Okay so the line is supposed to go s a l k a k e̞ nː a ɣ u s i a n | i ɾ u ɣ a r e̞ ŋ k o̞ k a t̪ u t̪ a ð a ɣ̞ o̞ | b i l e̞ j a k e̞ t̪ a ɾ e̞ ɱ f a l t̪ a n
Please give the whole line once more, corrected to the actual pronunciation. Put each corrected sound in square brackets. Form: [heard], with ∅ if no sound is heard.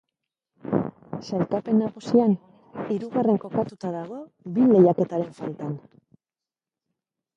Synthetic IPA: s a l k a [p] e̞ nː a ɣ u s i a n | i ɾ u ɣ a r e̞ ŋ k o̞ k a t̪ u t̪ a ð a ɣ̞ o̞ | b i l e̞ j a k e̞ t̪ a ɾ e̞ ɱ f a l t̪ a n